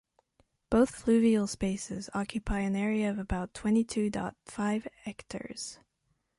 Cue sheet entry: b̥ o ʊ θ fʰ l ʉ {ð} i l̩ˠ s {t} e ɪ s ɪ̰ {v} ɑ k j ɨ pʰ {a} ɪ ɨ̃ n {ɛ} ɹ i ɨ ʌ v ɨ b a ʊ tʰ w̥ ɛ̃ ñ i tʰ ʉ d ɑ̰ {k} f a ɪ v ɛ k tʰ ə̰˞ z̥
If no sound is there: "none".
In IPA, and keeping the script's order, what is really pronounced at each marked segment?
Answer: v, p, z, a, ɛ, t

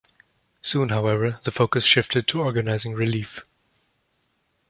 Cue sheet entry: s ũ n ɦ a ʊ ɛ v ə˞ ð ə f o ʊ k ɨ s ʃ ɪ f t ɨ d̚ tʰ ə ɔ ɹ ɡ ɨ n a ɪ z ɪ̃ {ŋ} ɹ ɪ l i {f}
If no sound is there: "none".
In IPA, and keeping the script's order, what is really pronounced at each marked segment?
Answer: ŋ, f

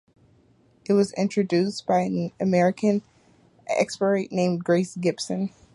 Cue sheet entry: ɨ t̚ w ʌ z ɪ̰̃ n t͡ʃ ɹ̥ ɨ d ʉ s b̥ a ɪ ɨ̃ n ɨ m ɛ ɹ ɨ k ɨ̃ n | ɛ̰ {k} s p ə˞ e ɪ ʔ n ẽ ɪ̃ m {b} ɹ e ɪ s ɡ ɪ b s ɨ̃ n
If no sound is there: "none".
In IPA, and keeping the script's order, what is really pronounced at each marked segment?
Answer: k, ɡ

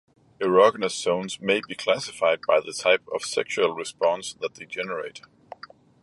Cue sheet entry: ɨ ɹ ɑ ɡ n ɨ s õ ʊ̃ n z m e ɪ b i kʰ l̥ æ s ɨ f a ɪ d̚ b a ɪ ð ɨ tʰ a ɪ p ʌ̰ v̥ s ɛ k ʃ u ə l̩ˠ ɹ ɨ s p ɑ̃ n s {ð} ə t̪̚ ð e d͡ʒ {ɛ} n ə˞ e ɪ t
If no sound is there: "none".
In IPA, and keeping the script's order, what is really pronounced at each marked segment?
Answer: ð, ɛ

